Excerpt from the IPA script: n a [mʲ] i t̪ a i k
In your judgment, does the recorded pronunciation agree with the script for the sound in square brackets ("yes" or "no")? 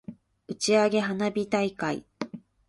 no